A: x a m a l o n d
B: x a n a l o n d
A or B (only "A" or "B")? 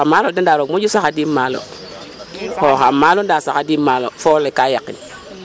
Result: A